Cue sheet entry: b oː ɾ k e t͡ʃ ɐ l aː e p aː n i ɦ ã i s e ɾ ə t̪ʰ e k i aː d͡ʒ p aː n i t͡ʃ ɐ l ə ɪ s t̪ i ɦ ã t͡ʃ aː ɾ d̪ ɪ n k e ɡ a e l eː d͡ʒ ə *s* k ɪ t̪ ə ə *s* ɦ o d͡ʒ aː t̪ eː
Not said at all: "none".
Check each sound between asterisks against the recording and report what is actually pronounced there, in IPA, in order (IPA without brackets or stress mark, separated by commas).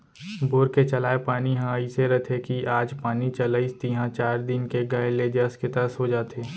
s, s